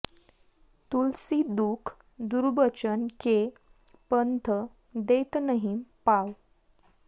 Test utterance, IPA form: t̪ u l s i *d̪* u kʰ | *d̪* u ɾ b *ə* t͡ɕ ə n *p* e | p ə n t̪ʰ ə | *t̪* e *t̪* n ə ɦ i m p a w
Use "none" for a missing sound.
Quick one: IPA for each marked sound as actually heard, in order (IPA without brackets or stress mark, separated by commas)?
d̪, d̪, ə, k, d̪, t̪